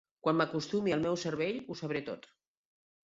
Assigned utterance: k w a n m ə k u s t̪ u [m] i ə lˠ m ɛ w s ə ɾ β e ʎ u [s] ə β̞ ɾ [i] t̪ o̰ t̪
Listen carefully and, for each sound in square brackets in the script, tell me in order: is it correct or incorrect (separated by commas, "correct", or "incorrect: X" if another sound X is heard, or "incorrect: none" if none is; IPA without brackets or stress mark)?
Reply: correct, correct, incorrect: e